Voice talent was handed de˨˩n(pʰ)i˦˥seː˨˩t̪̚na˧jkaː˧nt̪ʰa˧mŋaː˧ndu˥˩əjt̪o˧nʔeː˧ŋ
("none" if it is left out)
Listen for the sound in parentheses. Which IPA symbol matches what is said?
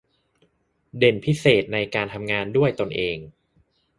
pʰ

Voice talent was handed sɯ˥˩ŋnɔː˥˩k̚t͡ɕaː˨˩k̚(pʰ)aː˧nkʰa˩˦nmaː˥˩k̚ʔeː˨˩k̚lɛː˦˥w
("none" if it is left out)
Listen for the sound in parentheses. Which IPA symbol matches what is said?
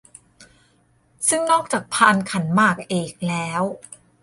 pʰ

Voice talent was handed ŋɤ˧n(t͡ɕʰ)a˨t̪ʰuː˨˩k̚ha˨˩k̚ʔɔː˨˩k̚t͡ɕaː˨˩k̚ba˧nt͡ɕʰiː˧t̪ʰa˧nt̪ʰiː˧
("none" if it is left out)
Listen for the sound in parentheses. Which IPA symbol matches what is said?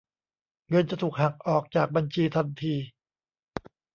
t͡ɕ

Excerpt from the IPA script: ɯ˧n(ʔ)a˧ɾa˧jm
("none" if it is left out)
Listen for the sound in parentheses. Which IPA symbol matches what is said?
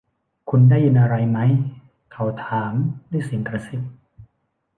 ʔ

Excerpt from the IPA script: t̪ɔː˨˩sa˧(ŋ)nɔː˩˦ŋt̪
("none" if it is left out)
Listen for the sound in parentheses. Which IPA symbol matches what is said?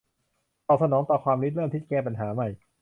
none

